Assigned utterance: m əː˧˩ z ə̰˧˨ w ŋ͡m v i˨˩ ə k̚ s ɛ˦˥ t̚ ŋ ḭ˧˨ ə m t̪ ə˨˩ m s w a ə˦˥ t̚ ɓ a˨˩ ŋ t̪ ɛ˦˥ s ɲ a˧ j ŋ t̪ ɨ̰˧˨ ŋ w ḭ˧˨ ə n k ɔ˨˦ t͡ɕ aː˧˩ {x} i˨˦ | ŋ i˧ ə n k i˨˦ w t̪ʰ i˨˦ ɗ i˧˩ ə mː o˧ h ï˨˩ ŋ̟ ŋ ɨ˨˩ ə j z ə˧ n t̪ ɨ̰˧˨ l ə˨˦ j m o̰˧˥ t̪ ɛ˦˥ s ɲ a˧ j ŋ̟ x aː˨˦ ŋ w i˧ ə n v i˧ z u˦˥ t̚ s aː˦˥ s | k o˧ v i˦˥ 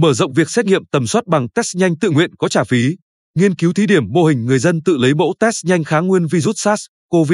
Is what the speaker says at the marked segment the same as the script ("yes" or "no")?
no